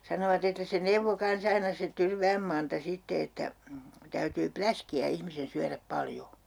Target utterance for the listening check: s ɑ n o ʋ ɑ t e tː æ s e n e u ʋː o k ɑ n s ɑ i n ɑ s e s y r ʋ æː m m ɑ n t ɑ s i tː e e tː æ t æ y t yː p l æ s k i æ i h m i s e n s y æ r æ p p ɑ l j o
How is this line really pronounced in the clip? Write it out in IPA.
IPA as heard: s ɑ n o ʋ ɑ t e tː æ s e n e u ʋː o k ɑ n s ɑ i n ɑ s e t y r ʋ æː m m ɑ n t ɑ s i tː e e tː æ t æ y t yː p l æ s k i æ i h m i s e n s y æ r æ p p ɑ l j o